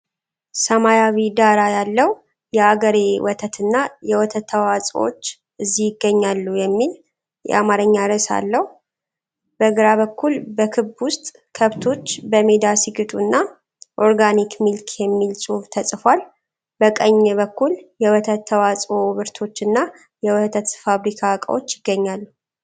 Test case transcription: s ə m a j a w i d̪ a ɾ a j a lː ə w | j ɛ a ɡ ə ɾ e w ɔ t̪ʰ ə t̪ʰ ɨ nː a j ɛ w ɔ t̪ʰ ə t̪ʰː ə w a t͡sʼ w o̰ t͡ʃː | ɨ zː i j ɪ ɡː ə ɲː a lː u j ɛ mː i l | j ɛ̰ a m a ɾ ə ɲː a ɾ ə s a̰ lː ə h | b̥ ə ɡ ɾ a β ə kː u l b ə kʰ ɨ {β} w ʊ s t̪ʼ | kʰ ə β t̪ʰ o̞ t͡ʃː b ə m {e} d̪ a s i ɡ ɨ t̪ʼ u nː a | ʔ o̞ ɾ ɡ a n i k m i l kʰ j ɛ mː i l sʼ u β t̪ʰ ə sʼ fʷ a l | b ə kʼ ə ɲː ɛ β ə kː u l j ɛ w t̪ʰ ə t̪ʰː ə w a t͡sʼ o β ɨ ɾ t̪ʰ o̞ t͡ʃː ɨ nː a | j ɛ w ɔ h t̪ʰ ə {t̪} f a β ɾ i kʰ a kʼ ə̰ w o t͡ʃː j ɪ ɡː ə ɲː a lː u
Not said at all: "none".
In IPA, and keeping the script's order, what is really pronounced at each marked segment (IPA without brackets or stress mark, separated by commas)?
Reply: b, e, t̪